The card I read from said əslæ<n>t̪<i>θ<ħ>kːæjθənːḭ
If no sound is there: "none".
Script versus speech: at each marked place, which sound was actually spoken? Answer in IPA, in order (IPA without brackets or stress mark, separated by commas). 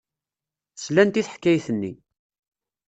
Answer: n, i, ħ